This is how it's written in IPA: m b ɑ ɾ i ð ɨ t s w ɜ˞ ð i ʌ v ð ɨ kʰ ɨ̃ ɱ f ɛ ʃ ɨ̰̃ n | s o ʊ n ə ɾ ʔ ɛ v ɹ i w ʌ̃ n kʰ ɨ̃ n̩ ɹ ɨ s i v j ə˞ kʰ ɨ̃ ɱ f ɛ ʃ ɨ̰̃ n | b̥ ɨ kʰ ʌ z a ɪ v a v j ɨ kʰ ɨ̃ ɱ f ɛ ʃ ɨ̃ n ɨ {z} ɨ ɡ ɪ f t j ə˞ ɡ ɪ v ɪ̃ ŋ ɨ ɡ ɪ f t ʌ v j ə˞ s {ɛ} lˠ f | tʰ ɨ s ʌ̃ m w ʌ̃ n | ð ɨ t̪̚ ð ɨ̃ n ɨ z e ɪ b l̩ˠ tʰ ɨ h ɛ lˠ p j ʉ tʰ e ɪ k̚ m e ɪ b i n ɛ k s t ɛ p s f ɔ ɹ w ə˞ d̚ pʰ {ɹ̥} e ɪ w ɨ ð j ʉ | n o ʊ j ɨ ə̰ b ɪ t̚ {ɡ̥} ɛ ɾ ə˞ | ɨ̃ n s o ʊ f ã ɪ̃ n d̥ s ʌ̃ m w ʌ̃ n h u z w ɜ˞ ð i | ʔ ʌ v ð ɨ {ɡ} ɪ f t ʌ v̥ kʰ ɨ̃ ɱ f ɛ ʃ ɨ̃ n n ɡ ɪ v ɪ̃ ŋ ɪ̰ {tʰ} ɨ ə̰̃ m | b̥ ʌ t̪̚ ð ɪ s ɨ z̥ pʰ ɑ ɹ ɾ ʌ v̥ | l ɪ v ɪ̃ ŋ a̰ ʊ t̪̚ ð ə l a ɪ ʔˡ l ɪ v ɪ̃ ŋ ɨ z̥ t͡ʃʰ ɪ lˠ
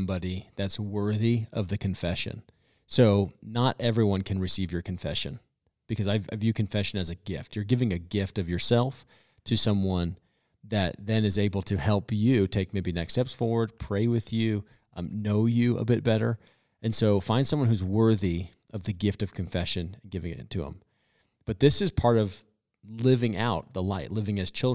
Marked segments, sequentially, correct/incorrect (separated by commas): correct, correct, correct, incorrect, correct, correct